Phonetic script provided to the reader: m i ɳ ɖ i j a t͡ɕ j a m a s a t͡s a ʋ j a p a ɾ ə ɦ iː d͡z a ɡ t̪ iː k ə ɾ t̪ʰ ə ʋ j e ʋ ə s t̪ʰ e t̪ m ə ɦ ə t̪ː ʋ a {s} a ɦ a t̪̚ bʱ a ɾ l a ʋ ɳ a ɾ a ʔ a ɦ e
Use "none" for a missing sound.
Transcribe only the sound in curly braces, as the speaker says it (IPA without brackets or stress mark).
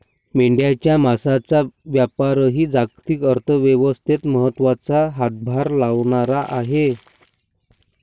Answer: t͡s